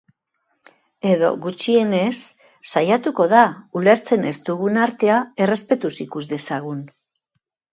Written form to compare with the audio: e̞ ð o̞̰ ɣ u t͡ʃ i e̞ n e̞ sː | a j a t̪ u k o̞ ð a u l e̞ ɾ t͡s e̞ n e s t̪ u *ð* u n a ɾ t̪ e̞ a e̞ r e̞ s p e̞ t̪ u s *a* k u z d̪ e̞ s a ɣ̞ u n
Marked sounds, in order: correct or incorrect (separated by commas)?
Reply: incorrect, incorrect